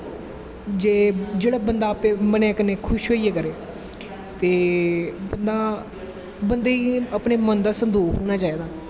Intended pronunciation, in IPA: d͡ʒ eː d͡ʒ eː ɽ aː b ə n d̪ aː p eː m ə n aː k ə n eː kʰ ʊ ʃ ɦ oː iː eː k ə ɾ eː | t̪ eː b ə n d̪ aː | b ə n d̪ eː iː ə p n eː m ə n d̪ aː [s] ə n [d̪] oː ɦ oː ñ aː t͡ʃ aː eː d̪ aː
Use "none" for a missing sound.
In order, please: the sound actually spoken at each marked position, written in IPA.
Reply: s, d̪

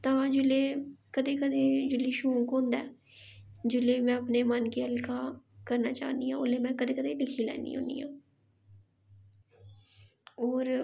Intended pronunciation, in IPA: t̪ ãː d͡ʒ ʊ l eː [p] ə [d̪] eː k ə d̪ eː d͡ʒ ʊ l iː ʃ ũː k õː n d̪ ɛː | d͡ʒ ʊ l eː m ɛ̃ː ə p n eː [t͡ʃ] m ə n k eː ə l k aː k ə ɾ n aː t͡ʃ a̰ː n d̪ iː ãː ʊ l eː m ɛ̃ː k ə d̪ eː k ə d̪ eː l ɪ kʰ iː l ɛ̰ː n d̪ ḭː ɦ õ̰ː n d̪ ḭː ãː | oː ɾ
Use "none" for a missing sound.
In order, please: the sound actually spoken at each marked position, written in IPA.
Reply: k, d̪, none

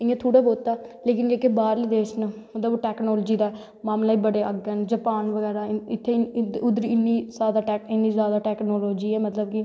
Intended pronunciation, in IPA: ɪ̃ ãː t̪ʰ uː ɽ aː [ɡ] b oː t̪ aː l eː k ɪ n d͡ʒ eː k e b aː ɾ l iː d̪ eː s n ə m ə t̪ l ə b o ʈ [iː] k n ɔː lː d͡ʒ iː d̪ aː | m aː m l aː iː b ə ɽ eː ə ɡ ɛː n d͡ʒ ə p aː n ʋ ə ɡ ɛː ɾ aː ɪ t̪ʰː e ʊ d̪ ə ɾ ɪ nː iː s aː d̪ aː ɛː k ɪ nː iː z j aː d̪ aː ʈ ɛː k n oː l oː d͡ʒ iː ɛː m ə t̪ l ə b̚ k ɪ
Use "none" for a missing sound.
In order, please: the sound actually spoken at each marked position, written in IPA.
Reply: none, ɛː

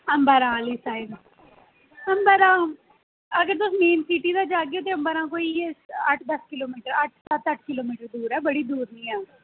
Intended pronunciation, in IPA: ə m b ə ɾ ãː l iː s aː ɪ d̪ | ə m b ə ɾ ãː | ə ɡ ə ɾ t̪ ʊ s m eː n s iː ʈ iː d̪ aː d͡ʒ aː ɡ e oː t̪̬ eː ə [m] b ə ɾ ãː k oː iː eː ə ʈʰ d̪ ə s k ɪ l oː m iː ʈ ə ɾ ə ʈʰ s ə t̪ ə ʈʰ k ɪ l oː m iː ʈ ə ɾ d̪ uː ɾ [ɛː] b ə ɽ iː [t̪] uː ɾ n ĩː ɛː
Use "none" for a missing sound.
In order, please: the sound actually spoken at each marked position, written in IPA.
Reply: m, ɛː, d̪

